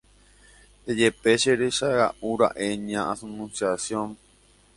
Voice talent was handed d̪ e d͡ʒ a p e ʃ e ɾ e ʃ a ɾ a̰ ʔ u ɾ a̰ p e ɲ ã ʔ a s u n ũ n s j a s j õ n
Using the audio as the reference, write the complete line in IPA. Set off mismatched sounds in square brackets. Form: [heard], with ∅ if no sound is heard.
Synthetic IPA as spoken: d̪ e d͡ʒ [e] p e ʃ e ɾ e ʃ a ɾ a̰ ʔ u ɾ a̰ [ʔ] e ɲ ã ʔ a s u n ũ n s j a s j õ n